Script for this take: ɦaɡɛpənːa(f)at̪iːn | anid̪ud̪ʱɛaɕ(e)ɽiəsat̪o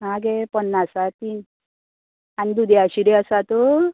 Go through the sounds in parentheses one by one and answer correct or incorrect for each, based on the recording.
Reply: incorrect, incorrect

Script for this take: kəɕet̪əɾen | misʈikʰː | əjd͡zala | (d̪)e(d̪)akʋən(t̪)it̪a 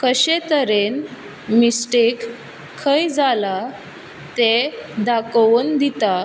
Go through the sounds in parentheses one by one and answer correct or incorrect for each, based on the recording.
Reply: incorrect, correct, incorrect

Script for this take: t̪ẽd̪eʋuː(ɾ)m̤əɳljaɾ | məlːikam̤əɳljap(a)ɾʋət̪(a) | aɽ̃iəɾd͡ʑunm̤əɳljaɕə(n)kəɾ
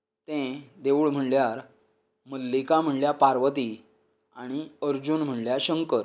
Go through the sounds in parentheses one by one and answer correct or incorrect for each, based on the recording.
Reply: incorrect, correct, incorrect, incorrect

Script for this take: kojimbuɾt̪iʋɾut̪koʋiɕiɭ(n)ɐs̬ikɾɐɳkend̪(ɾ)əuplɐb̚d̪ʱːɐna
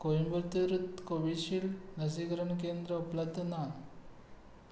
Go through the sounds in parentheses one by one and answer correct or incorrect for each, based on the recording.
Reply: correct, correct

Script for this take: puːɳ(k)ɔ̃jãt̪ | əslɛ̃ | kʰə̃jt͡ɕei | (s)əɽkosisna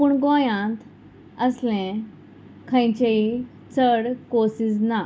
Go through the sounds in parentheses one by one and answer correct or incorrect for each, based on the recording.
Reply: incorrect, incorrect

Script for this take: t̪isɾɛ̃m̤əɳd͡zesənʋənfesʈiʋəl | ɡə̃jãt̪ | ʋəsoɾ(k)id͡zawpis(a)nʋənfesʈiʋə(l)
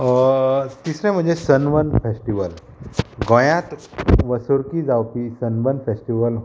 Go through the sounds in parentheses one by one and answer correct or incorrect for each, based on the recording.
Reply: correct, incorrect, correct

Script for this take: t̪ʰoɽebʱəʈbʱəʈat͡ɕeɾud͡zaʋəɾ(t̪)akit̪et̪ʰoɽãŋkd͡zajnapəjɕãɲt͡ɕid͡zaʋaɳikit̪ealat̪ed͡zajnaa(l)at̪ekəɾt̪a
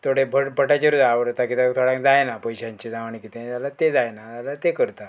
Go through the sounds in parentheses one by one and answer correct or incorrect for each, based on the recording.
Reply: correct, correct

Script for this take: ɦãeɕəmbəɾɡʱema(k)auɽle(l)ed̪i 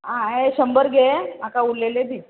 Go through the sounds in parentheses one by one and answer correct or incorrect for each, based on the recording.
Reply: correct, correct

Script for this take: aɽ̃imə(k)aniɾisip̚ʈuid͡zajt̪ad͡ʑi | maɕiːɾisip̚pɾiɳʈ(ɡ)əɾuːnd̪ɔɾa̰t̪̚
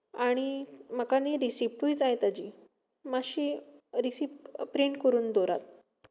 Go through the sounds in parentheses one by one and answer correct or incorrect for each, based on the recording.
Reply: correct, incorrect

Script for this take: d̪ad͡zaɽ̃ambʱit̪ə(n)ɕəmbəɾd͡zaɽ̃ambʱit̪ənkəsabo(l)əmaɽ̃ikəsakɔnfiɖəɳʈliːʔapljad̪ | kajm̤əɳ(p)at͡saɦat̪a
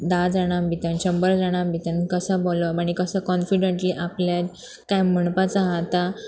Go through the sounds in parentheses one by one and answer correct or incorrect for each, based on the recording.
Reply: correct, correct, correct

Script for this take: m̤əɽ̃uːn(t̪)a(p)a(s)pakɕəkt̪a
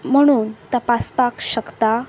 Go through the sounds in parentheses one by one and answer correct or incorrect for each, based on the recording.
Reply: correct, correct, correct

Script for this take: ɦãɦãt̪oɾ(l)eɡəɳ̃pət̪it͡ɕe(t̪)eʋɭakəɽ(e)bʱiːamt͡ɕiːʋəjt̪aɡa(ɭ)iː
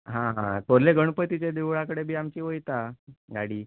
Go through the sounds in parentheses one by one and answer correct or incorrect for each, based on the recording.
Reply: correct, incorrect, correct, incorrect

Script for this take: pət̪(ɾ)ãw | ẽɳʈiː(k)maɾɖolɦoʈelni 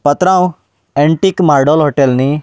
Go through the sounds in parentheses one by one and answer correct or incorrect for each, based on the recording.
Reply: correct, correct

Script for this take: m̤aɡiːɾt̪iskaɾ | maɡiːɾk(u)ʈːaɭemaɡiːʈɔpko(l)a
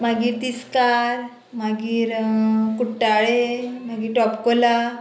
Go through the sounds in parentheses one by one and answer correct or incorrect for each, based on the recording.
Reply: correct, correct

